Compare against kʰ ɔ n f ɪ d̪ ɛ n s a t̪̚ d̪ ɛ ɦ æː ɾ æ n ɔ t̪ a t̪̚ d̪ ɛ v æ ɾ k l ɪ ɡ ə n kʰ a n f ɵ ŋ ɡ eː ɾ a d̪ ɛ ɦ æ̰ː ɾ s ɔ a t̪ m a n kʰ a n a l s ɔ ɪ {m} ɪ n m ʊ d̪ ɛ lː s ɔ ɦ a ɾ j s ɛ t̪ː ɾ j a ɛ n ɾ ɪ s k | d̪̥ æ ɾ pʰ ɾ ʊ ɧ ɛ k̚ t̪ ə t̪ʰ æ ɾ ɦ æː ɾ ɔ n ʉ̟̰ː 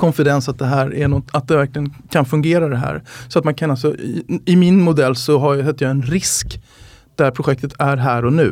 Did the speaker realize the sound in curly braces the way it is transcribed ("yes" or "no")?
yes